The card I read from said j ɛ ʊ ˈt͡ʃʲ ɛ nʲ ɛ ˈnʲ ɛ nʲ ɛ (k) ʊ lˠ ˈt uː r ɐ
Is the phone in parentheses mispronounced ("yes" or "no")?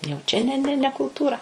no